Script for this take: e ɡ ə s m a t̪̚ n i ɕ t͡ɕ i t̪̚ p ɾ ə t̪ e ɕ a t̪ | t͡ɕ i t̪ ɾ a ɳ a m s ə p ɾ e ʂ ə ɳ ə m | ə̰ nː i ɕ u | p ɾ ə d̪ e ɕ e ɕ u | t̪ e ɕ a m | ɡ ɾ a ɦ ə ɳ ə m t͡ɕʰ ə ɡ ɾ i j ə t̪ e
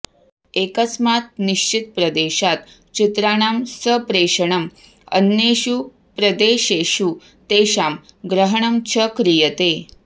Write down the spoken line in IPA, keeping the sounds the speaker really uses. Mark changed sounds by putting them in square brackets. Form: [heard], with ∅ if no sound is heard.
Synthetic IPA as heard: e [k] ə s m a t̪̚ n i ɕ t͡ɕ i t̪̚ p ɾ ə [d̪] e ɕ a t̪ | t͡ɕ i t̪ ɾ a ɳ a m s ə p ɾ e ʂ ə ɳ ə m | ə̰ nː [e] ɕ u | p ɾ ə d̪ e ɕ e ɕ u | t̪ e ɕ a m | ɡ ɾ [ə] ɦ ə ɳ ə m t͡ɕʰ ə [k] ɾ i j ə t̪ e